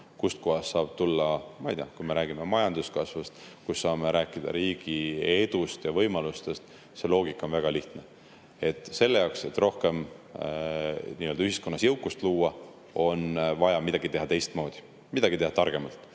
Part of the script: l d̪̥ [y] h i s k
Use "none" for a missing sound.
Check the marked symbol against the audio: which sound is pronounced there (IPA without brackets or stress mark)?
y